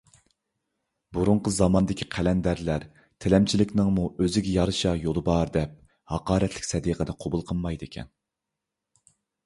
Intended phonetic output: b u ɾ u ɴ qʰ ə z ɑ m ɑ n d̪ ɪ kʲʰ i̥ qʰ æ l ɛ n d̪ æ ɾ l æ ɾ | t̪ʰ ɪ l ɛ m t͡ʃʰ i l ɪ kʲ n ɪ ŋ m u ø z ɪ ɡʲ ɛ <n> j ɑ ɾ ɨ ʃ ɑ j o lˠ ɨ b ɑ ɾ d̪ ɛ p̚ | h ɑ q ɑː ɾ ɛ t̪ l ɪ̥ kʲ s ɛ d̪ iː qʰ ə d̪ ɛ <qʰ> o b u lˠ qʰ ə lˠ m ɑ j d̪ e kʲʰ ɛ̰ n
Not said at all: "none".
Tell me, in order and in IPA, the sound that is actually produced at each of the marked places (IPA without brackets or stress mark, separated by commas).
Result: none, qʰ